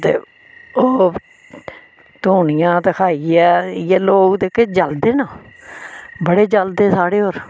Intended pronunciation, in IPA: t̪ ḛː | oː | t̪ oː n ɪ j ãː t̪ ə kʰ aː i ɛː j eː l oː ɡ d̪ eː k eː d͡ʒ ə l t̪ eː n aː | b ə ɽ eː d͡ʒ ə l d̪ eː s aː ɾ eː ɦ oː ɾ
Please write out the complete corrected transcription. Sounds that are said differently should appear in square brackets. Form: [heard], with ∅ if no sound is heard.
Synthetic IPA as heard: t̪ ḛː | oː | t̪ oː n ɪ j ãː t̪ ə kʰ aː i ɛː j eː l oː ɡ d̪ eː k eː d͡ʒ ə l [d̪] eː n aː | b ə ɽ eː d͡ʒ ə l d̪ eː s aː [ɽ] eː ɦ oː ɾ